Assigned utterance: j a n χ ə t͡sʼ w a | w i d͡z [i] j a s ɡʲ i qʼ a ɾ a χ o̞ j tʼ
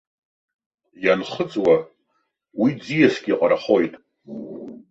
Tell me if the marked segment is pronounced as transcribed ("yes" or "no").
yes